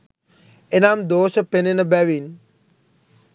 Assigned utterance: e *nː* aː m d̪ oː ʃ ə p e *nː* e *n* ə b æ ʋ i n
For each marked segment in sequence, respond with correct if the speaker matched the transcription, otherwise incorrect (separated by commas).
incorrect, incorrect, correct